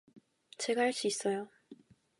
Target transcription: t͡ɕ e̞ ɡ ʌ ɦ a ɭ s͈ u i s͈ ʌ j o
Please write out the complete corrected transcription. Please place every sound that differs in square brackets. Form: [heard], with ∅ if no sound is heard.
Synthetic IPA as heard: t͡ɕ e̞ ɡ [a] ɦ a ɭ s͈ u i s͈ ʌ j o